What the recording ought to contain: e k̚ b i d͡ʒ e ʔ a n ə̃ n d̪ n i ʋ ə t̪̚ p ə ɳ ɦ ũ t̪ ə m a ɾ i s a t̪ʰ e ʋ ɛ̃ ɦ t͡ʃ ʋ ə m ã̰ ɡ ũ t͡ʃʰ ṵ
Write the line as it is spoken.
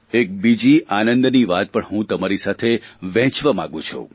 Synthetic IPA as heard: e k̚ b i d͡ʒ i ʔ a n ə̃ n d̪ n i ʋ a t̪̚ p ə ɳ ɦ ũ t̪ ə m a ɾ i s a t̪ʰ e ʋ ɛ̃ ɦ t͡ʃ ʋ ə m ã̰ ɡ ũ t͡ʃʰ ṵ